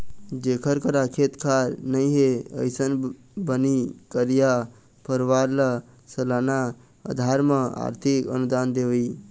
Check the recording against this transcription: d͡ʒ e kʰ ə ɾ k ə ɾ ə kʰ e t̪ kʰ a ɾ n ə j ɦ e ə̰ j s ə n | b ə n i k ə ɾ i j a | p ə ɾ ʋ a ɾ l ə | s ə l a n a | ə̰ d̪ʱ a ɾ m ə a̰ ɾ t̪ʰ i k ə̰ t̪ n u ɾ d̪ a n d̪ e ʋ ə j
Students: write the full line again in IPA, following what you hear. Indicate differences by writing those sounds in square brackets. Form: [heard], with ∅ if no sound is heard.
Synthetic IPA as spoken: d͡ʒ e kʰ ə ɾ k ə ɾ [a] kʰ e t̪ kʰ a ɾ n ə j ɦ e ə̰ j s ə n | b ə n i k ə ɾ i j a | p ə ɾ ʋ a ɾ l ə | s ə l a n a | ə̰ d̪ʱ a ɾ m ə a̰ ɾ t̪ʰ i k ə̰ [∅] n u [∅] d̪ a n d̪ e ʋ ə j